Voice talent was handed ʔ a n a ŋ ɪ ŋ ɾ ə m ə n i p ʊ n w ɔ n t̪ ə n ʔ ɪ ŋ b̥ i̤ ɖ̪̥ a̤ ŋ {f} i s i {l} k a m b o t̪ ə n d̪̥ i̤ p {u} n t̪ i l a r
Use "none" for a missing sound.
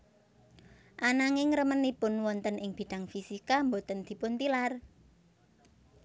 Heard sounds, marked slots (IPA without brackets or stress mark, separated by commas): f, none, ʊ